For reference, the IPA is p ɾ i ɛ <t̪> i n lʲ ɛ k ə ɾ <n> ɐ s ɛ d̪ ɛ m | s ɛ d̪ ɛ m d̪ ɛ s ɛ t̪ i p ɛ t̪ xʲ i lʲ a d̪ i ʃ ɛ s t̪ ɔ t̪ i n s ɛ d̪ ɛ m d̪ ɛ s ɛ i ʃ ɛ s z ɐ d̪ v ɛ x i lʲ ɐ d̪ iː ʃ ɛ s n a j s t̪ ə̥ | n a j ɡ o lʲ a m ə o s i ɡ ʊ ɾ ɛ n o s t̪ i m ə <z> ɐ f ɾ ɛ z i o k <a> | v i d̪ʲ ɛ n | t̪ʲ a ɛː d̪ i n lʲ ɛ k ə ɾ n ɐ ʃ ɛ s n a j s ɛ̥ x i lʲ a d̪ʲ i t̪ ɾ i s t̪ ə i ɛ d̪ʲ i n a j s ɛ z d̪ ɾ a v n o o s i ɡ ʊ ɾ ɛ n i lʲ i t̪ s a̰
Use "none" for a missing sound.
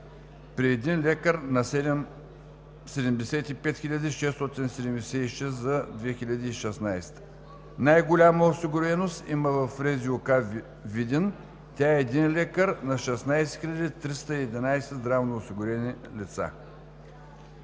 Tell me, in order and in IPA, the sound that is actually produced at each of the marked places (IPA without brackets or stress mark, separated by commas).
d̪, n, v, a